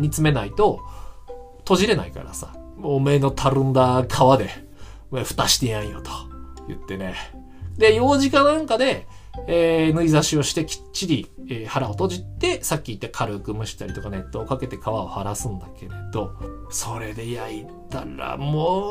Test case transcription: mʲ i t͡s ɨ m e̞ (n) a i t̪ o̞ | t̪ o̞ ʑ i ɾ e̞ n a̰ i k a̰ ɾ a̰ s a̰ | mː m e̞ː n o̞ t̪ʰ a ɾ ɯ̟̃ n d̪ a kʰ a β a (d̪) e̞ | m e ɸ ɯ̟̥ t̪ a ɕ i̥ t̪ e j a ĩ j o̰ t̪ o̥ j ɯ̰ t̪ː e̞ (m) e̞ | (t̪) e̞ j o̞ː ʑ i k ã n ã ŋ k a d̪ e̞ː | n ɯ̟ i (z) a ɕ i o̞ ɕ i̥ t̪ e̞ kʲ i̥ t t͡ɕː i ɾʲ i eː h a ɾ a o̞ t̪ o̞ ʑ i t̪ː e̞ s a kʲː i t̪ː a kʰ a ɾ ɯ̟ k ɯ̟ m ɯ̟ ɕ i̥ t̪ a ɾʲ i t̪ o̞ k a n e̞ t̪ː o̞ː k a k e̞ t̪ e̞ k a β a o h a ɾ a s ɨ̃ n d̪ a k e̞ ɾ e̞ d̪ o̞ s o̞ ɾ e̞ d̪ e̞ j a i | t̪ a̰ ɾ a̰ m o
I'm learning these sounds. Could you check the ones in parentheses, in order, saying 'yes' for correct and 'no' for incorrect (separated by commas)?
yes, yes, no, no, yes